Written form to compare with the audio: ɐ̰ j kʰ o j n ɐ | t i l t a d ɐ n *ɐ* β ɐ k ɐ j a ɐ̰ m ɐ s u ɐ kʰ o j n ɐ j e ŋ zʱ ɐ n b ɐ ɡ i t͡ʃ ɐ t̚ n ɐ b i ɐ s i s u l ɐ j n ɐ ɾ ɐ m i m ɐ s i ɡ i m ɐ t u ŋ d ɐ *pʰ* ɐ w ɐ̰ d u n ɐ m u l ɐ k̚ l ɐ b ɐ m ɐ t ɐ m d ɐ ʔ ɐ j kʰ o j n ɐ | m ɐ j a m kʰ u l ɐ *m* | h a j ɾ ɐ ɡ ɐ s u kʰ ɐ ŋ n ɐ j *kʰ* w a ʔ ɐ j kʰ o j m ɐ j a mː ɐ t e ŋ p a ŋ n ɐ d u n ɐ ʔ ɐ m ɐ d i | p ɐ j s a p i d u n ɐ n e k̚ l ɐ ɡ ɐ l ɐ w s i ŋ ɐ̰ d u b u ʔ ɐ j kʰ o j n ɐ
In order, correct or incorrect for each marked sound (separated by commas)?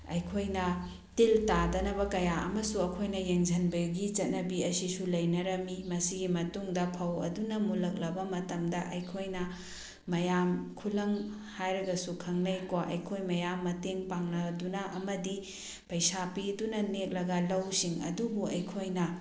correct, correct, incorrect, incorrect